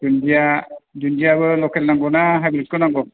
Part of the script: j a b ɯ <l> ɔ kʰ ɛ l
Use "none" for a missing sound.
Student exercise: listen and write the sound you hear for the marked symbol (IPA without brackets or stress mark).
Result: l